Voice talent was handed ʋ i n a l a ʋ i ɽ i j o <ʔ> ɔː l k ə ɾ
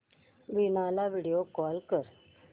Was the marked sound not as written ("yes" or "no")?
yes